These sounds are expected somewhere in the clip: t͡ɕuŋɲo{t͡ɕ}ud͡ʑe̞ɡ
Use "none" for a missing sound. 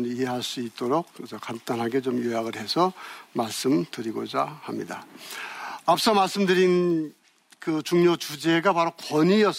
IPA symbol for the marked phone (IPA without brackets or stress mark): t͡ɕ